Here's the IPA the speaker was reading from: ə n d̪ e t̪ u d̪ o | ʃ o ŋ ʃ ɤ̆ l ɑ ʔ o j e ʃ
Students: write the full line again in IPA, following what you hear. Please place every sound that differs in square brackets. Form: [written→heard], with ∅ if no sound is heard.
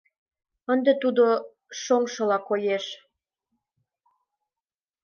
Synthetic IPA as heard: ə n d̪ e t̪ u d̪ o | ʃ o ŋ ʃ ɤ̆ l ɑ [ʔ→k] o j e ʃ